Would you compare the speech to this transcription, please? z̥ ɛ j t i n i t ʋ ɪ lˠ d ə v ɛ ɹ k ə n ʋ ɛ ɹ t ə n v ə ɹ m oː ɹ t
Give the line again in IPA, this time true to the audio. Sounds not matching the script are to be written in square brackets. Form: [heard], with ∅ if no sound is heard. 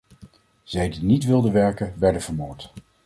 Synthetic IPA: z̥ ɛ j [d] i n i t ʋ ɪ lˠ d ə [ʋ] ɛ ɹ k ə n ʋ ɛ ɹ [d] ə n v ə ɹ m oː ɹ t